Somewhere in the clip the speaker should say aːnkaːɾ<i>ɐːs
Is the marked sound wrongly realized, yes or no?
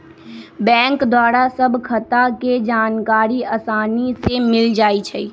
no